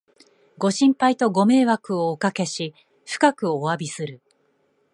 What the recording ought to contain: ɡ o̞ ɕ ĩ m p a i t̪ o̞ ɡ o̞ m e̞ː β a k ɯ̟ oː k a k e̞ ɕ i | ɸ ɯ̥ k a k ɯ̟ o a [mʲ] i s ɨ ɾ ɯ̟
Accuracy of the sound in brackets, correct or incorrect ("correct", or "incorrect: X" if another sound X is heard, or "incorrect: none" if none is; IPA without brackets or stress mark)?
incorrect: bʲ